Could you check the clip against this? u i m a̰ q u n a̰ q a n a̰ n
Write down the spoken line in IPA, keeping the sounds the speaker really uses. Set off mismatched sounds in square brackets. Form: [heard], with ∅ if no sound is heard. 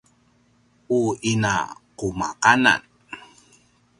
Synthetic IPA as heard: u i [n] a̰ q u [m] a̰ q a n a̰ n